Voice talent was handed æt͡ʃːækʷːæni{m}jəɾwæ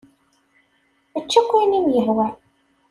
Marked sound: correct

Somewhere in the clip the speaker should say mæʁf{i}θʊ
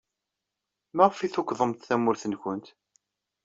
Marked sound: correct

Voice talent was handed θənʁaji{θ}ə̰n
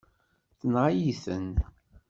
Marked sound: correct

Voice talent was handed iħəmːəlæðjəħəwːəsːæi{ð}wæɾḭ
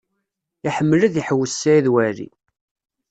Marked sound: correct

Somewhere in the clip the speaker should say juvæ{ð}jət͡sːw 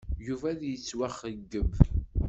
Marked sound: correct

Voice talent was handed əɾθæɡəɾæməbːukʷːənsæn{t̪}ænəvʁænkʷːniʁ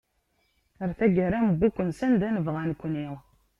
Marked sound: incorrect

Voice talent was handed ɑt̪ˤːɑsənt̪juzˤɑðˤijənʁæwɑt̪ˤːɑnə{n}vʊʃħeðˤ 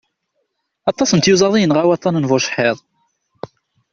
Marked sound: correct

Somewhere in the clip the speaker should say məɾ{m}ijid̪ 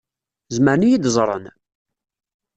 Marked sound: incorrect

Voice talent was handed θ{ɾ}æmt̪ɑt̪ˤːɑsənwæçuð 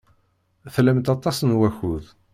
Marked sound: incorrect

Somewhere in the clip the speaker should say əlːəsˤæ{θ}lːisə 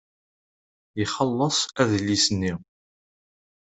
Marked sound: incorrect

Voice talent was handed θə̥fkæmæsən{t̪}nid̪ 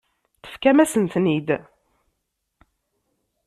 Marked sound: correct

